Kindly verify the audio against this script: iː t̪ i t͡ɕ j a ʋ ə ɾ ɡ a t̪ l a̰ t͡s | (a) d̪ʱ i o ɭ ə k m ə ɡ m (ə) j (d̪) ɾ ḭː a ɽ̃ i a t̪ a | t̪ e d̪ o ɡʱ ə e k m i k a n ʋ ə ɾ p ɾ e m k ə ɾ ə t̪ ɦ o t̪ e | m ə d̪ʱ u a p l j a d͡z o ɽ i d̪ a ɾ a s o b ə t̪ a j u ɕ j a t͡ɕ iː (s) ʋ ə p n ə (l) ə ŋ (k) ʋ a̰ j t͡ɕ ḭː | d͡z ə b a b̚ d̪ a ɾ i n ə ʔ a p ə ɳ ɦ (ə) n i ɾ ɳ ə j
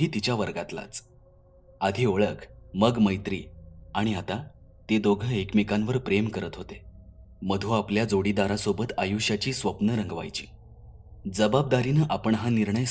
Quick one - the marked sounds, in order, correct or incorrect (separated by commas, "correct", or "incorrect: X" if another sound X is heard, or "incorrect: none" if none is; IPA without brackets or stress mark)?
correct, correct, incorrect: t̪, correct, incorrect: ɾ, incorrect: ɡ, incorrect: a